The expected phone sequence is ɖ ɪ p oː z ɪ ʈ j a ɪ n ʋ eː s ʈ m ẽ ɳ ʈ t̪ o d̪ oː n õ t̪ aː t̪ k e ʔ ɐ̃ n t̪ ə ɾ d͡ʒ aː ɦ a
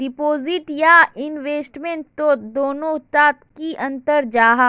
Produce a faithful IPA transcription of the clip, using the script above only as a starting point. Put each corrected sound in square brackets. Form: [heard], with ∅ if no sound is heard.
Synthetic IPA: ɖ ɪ p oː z ɪ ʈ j a ɪ n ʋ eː s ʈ m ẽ ɳ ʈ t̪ o d̪ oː n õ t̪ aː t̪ k [i] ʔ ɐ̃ n t̪ ə ɾ d͡ʒ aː ɦ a